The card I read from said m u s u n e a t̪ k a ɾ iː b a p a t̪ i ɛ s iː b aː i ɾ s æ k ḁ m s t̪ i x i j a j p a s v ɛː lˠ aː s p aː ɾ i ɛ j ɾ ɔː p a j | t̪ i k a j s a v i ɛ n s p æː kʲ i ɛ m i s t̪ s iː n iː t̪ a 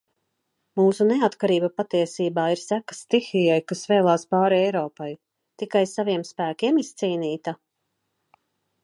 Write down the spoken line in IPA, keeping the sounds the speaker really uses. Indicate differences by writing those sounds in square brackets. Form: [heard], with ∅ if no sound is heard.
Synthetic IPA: m [uː] s u n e a t̪ k a ɾ iː b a p a t̪ i ɛ s iː b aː i ɾ s æ k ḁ [∅] s t̪ i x i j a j [k] a s v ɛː lˠ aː s p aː ɾ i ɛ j ɾ ɔː p a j | t̪ i k a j s a v i ɛ [m] s p æː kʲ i ɛ m i s t̪ s iː n iː t̪ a